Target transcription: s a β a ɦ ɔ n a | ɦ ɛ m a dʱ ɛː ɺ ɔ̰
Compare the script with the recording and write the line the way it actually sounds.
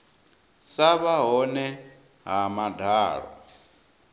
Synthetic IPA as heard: s a β a ɦ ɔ n ɛ | ɦ a m a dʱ aː ɺ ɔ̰